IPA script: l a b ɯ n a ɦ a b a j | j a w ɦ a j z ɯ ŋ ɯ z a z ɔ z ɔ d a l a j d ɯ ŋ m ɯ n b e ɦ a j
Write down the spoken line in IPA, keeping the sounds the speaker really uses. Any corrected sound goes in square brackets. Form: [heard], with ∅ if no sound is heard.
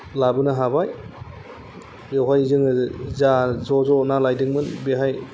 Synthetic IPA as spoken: l a b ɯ n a ɦ a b a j | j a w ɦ a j z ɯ ŋ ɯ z a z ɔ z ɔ [n] a l a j d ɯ ŋ m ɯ n b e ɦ a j